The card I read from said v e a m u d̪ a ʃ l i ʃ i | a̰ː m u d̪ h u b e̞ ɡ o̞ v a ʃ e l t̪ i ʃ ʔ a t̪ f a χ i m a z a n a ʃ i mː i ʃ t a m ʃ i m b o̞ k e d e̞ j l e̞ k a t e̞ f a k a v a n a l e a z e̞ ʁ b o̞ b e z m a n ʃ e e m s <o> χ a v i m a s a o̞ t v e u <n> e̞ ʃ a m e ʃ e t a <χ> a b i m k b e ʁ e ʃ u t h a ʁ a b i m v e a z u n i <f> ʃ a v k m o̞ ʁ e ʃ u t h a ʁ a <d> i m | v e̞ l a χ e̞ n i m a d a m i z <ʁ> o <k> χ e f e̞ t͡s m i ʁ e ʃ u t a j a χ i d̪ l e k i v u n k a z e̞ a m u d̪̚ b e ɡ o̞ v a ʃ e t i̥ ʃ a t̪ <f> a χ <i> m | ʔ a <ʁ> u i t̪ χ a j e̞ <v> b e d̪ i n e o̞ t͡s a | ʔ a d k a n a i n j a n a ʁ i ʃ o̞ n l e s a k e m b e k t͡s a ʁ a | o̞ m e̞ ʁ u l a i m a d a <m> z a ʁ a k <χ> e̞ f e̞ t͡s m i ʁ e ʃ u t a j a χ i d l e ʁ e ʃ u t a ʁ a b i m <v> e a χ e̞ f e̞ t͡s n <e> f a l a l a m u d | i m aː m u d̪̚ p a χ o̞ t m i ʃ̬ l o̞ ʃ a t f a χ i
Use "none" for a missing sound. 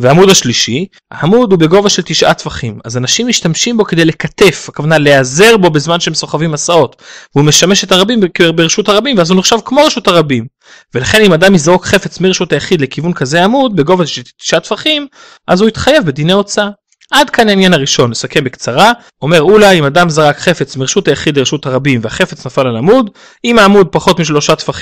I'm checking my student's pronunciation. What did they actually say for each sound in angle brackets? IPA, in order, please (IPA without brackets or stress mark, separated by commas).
o, m, ʁ, χ, b, ʁ, k, f, i, z, v, m, χ, v, a